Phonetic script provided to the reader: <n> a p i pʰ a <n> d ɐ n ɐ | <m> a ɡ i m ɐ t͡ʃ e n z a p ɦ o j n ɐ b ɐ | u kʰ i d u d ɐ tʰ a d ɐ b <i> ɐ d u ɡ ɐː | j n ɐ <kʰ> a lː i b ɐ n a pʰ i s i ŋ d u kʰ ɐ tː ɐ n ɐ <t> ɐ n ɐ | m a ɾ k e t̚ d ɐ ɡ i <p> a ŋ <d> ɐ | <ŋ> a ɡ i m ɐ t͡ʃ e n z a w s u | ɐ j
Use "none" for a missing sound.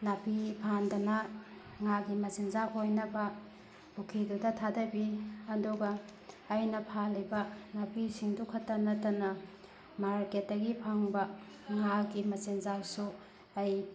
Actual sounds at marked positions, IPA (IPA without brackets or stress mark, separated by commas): n, n, ŋ, i, pʰ, t, pʰ, b, ŋ